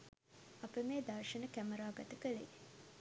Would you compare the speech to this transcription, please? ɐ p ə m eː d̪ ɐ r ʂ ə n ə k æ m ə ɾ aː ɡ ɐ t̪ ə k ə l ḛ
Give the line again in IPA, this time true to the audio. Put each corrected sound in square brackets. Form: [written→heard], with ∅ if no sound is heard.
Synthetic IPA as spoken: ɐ p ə m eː d̪ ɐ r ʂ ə n ə k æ m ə ɾ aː ɡ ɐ t̪ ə k ə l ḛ